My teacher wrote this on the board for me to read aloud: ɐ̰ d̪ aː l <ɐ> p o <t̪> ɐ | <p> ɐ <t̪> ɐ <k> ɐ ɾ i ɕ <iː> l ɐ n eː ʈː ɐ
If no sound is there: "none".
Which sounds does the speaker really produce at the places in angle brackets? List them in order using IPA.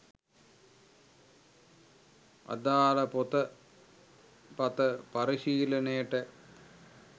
ɐ, t̪, p, t̪, p, iː

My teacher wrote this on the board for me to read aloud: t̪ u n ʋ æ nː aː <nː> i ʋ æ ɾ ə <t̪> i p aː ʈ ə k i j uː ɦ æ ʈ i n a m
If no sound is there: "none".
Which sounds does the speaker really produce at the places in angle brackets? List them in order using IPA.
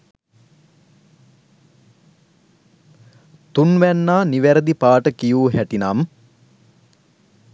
n, d̪

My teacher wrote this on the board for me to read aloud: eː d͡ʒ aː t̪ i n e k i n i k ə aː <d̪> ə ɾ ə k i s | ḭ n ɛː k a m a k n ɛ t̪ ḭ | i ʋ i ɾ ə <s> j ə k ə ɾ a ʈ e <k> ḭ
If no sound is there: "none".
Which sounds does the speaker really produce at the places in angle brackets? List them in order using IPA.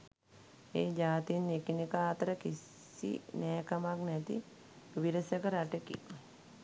t̪, s, k

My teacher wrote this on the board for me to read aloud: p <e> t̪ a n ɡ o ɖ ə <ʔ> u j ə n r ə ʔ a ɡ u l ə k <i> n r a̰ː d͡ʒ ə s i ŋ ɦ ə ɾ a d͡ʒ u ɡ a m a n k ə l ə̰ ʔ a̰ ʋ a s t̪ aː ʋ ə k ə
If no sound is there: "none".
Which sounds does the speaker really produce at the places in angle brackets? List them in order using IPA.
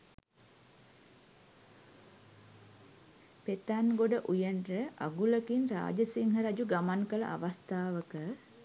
e, ʔ, i

